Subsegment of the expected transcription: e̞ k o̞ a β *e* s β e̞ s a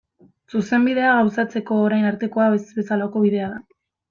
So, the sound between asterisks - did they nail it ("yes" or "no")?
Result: yes